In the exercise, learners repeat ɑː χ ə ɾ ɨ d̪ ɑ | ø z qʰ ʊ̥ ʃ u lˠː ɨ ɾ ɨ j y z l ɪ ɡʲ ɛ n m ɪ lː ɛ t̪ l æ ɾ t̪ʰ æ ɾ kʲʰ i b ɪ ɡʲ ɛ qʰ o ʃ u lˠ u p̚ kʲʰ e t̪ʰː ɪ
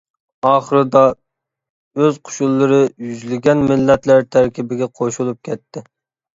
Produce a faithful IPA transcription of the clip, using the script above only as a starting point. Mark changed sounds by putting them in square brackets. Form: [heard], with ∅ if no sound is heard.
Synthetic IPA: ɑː χ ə ɾ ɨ d̪ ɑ | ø z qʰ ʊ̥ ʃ u lˠː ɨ ɾ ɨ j y z l ɪ ɡʲ ɛ n m ɪ lː ɛ t̪ l æ ɾ t̪ʰ æ ɾ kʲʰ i b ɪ ɡʲ ɛ qʰ o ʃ u lˠ u p̚ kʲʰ [ɛ] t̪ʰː ɪ